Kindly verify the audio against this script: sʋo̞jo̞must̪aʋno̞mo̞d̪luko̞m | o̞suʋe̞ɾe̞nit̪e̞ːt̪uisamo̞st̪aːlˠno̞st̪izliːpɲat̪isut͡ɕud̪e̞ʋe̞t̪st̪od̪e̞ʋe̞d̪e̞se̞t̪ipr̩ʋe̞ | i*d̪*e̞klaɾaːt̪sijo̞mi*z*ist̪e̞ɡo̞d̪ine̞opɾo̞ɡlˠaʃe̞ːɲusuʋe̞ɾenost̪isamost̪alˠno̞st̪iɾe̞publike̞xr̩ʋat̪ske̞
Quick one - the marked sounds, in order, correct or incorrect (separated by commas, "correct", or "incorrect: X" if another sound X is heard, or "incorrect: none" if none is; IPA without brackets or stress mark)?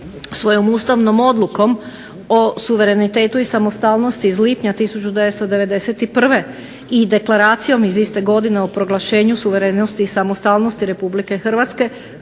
correct, correct